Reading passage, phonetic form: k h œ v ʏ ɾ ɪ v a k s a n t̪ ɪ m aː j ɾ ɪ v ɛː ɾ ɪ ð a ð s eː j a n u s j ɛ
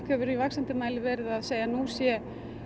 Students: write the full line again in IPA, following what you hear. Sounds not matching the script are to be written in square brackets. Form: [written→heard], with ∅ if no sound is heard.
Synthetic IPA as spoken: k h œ v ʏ ɾ [ɪ→i] v a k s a n t̪ ɪ m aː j [ɾ→l] ɪ v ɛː ɾ ɪ ð a ð s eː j a n u s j ɛ